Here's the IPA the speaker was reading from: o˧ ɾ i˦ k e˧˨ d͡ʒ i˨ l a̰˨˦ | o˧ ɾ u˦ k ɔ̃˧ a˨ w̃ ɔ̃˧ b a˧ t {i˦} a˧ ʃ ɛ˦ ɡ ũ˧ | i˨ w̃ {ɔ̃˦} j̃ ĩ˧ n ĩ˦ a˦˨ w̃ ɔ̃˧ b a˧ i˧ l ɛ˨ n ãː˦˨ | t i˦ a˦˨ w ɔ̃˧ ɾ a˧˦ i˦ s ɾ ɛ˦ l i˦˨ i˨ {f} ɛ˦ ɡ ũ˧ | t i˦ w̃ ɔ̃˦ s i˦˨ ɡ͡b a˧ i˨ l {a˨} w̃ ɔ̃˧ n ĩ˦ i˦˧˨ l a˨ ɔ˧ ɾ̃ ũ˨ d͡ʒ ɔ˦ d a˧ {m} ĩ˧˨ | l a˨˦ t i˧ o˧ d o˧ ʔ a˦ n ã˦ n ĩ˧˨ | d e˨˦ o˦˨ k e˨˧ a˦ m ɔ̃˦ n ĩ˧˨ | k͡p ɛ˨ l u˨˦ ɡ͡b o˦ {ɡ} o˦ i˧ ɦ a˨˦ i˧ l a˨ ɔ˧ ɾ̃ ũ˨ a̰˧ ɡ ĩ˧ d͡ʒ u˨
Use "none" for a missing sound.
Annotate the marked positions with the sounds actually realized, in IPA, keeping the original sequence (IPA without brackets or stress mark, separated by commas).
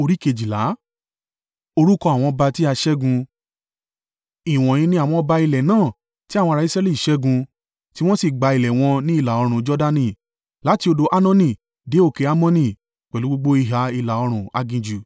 i˦, ɔ̃˨, ʃ, ɛ˨, n, ɡ͡b